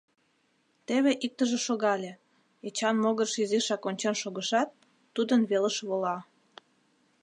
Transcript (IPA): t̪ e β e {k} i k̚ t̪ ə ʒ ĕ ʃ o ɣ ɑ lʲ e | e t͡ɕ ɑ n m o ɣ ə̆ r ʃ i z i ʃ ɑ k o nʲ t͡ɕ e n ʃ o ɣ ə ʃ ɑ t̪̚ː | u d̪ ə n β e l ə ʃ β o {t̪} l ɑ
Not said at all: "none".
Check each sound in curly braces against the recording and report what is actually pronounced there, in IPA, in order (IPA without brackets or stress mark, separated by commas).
ʔ, none